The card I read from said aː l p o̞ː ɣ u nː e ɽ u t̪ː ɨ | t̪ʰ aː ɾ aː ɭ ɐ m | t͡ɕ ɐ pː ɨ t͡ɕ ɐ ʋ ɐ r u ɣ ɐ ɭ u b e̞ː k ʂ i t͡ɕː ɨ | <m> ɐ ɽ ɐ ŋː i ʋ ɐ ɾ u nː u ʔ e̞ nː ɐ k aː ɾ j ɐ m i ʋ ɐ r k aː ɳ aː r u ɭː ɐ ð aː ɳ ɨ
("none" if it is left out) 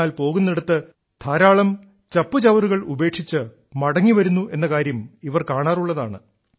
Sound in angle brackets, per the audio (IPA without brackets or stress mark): m